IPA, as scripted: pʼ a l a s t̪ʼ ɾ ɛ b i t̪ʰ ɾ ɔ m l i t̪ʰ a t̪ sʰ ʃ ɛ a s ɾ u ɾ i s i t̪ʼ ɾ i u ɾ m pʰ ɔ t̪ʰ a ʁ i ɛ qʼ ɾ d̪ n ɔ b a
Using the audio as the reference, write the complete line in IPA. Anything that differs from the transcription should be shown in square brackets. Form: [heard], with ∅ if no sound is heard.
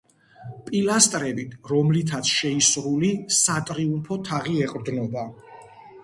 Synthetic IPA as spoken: pʼ [i] l a s t̪ʼ ɾ ɛ b i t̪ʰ ɾ ɔ m l i t̪ʰ a t̪ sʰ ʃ ɛ [i] s ɾ u [l] i s [a] t̪ʼ ɾ i u [∅] m pʰ ɔ t̪ʰ a ʁ i ɛ qʼ ɾ d̪ n ɔ b a